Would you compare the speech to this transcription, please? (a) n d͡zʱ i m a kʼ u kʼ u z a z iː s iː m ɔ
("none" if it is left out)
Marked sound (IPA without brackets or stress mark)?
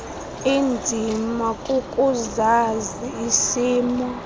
i